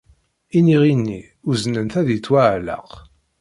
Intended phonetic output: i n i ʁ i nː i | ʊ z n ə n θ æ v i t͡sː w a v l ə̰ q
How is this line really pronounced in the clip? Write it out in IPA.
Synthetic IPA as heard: i n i ʁ i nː i | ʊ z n ə n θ æ ð i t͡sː w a ʕ l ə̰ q